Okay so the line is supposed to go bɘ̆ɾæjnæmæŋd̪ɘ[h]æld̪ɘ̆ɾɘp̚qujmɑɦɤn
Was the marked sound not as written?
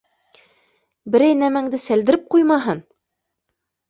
yes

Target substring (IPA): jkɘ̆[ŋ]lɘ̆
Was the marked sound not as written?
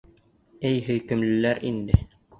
yes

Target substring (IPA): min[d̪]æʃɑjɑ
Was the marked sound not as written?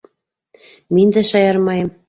no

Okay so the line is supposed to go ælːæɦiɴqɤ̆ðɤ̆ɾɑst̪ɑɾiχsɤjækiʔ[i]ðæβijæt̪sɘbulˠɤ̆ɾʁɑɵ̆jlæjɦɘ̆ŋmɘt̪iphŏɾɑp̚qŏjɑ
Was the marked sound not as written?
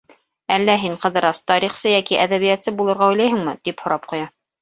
yes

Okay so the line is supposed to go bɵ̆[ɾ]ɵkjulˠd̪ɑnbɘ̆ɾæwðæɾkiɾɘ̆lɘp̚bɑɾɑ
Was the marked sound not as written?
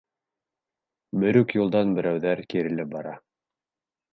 no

